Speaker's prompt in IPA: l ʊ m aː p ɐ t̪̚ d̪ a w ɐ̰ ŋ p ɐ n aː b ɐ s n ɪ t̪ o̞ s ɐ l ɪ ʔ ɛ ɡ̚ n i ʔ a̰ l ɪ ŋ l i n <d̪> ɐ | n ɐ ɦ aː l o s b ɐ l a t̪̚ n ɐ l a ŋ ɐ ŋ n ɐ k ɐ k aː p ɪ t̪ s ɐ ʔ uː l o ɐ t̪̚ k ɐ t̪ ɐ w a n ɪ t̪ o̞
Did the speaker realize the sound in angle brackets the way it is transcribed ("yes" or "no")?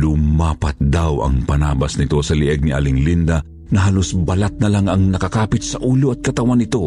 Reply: yes